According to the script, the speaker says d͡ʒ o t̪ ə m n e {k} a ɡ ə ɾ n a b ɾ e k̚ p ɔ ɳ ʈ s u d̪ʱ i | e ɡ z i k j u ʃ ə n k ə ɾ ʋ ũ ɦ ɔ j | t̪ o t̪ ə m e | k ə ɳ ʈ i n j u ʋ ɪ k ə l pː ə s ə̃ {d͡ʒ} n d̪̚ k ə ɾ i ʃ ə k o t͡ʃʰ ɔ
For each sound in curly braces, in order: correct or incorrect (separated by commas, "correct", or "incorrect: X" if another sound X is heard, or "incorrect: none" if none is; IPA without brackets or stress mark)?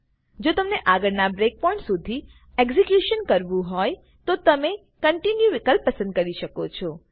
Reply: incorrect: ʔ, incorrect: none